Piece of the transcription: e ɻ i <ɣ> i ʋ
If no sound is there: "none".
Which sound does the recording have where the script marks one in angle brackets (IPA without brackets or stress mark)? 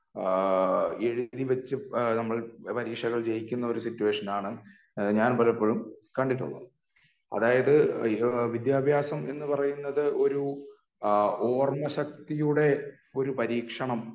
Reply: ð